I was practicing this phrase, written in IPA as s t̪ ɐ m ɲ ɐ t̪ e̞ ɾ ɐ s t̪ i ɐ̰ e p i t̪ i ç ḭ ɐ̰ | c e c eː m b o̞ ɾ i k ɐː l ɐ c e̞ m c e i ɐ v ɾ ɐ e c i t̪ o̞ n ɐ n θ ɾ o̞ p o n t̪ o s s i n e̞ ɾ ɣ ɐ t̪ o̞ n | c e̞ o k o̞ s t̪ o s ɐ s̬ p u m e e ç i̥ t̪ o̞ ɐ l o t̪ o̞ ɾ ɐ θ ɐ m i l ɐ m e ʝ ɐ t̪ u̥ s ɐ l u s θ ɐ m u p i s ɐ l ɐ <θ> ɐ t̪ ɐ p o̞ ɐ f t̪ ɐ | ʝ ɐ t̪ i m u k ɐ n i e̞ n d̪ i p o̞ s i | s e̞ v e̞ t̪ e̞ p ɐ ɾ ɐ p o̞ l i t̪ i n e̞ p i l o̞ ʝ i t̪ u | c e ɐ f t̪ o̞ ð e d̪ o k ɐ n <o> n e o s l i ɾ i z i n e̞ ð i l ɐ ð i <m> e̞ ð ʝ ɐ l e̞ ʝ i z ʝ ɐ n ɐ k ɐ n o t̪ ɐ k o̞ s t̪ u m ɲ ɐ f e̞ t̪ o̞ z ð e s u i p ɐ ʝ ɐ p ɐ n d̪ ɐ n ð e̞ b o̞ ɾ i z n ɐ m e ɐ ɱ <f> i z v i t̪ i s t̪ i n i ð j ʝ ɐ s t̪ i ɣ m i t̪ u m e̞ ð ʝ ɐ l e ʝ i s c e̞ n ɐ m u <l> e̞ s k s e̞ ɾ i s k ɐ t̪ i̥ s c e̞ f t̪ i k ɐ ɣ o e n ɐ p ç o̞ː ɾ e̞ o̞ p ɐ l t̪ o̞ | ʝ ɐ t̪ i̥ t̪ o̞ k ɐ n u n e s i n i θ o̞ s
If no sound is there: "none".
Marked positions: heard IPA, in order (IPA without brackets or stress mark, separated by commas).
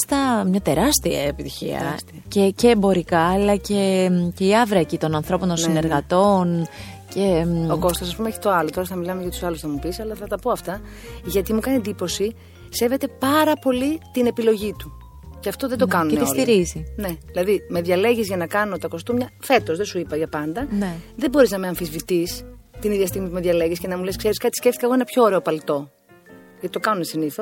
θ, u, m, f, l